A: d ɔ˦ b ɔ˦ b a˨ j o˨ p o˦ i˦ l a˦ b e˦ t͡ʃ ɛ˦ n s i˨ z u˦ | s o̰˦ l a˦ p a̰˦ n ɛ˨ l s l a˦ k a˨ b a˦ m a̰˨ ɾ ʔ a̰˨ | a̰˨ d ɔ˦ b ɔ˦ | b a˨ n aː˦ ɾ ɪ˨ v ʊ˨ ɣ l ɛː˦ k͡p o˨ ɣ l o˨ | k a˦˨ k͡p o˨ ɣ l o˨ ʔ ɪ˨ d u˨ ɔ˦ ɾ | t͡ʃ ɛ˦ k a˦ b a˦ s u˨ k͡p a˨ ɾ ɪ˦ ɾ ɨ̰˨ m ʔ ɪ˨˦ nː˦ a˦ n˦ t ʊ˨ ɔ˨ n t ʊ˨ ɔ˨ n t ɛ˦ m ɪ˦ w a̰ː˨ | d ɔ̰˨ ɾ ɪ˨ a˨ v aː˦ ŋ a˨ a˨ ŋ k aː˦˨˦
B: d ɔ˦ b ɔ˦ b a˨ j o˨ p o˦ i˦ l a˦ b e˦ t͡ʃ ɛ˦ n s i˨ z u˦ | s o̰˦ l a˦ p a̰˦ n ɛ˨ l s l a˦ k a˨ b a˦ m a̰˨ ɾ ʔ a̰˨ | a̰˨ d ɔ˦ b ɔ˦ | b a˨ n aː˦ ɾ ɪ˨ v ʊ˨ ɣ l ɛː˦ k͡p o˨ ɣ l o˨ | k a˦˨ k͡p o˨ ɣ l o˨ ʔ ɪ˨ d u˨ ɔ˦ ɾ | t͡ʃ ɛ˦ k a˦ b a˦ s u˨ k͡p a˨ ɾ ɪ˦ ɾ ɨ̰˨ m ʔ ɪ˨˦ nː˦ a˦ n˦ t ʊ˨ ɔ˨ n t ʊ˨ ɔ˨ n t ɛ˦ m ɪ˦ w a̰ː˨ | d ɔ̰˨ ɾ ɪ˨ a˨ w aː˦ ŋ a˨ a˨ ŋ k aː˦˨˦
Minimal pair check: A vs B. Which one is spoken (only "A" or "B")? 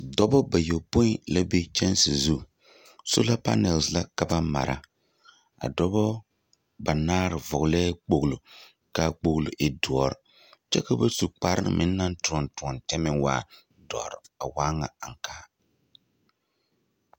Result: B